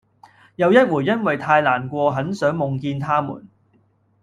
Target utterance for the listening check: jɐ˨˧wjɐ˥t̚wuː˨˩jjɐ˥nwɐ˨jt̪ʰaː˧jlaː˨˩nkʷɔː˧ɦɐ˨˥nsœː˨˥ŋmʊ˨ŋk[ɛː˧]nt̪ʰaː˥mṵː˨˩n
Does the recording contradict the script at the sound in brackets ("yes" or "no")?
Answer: yes